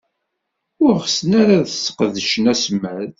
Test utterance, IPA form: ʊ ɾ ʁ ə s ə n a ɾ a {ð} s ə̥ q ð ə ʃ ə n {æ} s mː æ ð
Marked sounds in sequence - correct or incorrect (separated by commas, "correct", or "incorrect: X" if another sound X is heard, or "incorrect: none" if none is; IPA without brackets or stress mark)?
correct, correct